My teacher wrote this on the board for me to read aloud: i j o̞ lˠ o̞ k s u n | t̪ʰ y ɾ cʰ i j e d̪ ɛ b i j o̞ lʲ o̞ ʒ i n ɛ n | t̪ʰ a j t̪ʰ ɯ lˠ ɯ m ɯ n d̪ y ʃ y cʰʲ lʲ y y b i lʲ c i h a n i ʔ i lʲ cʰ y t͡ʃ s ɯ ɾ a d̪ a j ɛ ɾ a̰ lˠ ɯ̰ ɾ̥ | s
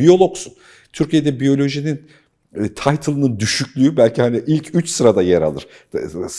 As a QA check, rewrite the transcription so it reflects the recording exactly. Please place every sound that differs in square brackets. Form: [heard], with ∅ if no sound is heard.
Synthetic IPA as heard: i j o̞ lˠ o̞ k s u n | t̪ʰ y ɾ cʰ i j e d̪ ɛ b i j o̞ lʲ o̞ ʒ i n [i] n | t̪ʰ a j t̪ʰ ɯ lˠ ɯ [n] ɯ n d̪ y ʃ y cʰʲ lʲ y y b [æ] lʲ c i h a n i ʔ i lʲ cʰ y t͡ʃ s ɯ ɾ a d̪ a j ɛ ɾ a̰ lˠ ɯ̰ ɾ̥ | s